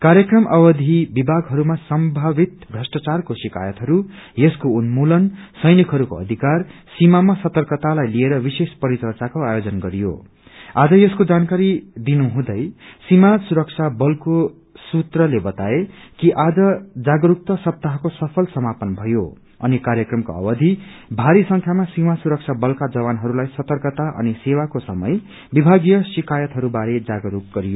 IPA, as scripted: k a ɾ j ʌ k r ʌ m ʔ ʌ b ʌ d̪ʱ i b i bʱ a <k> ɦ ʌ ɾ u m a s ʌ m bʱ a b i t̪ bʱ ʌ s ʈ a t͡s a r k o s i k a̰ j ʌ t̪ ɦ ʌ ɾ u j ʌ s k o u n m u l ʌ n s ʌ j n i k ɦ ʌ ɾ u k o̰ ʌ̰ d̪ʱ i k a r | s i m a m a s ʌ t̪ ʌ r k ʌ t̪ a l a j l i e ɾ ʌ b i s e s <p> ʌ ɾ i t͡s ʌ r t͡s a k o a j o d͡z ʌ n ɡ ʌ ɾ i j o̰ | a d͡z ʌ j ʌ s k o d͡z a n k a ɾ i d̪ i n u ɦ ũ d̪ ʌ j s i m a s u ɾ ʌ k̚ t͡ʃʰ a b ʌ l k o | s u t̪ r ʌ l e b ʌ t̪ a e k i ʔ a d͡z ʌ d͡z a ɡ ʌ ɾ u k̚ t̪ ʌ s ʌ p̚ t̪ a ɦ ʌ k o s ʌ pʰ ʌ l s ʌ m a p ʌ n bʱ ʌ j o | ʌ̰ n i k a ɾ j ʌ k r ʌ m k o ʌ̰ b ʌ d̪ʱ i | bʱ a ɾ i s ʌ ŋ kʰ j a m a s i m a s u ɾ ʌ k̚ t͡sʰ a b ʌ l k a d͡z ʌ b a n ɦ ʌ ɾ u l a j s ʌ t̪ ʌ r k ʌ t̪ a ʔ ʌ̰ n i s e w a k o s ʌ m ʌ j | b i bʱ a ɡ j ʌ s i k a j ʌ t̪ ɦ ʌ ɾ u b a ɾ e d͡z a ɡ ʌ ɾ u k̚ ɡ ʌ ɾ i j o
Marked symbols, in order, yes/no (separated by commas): no, yes